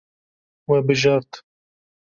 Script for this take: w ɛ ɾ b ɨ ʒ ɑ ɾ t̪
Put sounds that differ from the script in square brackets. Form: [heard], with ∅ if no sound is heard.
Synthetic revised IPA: w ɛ [∅] b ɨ ʒ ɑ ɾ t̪